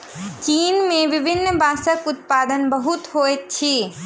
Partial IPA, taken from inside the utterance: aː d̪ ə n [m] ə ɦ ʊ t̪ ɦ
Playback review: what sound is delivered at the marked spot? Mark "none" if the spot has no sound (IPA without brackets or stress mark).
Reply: b